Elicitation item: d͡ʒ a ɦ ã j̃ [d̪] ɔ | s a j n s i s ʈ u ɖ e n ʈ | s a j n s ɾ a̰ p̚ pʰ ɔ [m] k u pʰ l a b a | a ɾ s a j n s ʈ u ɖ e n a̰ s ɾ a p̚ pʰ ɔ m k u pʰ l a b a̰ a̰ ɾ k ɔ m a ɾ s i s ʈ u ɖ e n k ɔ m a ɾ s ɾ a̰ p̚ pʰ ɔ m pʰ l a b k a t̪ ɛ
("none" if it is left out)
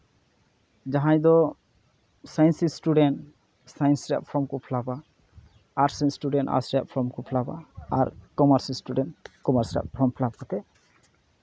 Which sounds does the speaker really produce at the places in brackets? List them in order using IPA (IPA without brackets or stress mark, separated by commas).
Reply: d̪, m